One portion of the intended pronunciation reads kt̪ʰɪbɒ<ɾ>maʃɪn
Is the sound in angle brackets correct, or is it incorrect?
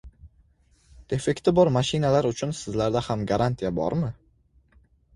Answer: correct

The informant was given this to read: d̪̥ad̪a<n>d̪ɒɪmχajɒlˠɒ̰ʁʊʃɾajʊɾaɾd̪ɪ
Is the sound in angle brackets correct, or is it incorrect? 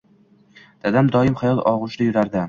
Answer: incorrect: m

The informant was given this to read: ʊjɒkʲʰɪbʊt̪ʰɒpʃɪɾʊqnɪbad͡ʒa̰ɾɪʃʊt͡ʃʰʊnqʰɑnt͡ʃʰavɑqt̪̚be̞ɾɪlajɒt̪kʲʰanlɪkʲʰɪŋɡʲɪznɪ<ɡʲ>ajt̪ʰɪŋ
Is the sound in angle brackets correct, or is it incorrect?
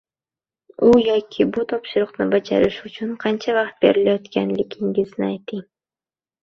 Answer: incorrect: none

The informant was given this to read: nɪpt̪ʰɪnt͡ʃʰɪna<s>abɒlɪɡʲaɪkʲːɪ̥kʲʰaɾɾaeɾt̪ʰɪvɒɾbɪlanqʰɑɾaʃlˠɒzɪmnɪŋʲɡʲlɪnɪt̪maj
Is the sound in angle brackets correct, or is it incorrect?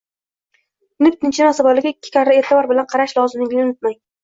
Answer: correct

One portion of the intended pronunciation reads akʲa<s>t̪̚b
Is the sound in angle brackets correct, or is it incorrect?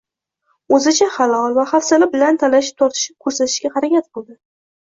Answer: incorrect: none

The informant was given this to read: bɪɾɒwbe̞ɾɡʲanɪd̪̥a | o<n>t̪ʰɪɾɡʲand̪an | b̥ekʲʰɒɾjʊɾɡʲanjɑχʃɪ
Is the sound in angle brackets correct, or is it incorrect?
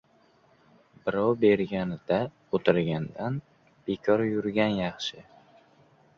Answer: incorrect: none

